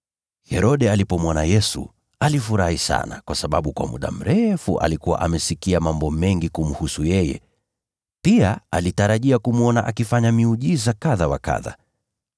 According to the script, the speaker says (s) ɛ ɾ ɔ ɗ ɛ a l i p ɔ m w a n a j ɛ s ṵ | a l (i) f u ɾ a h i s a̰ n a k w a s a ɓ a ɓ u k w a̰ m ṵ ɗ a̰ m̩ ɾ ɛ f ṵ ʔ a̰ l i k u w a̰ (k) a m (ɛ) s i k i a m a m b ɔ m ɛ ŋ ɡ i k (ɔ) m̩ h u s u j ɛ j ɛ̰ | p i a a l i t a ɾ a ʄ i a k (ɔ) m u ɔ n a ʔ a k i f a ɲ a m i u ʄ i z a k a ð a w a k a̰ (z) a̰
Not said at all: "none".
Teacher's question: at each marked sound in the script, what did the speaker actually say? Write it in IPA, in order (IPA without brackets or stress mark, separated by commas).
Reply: h, i, ʔ, ɛ, u, u, ð